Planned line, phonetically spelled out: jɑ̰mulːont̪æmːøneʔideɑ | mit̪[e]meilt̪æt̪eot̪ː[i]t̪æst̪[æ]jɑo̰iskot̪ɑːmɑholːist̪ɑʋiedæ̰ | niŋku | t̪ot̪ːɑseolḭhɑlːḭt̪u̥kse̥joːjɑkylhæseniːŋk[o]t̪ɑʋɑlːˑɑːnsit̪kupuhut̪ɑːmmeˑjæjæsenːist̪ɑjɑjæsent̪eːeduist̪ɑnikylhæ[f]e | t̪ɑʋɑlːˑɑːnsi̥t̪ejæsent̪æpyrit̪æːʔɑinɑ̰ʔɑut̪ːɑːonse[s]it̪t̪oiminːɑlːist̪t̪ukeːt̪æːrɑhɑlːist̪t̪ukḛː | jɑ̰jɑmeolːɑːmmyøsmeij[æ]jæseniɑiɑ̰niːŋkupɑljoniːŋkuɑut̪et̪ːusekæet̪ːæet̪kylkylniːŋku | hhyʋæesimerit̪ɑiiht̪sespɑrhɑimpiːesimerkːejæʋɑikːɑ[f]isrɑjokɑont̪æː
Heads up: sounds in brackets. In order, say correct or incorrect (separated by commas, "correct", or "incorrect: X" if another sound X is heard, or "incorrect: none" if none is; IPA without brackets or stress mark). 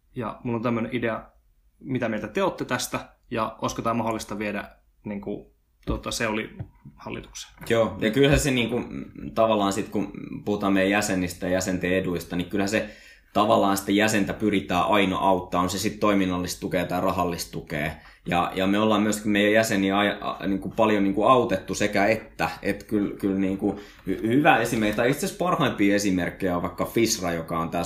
incorrect: æ, incorrect: e, correct, incorrect: u, incorrect: s, correct, correct, correct